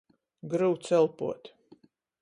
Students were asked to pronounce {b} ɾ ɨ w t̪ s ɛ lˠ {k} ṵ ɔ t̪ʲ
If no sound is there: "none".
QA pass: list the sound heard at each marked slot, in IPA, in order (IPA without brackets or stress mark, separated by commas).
ɡ, p